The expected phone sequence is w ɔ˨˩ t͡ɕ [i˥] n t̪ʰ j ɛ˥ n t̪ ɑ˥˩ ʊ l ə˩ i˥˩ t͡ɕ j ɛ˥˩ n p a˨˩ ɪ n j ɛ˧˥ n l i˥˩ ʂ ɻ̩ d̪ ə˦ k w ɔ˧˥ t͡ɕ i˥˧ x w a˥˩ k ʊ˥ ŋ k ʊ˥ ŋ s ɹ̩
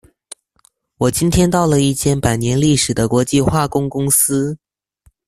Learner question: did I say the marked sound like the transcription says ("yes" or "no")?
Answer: yes